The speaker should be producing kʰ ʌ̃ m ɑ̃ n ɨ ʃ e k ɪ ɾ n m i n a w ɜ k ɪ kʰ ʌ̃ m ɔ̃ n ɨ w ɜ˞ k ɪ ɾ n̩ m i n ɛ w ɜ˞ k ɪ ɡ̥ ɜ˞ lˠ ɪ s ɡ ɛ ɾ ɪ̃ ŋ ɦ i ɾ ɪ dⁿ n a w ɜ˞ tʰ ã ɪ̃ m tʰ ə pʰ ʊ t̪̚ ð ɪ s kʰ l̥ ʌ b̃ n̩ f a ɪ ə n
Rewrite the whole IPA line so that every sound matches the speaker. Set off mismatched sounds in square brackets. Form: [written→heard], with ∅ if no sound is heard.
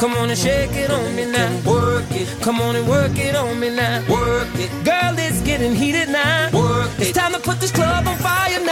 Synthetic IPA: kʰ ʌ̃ m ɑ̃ n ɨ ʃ e k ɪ ɾ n m i n a w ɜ k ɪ kʰ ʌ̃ m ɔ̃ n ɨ w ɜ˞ k ɪ ɾ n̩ m i n [ɛ→a] w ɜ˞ k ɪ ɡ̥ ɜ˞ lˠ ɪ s ɡ ɛ ɾ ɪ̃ ŋ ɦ i ɾ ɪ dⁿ n a w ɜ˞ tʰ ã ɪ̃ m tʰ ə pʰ ʊ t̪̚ ð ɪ s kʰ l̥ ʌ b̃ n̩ f a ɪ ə n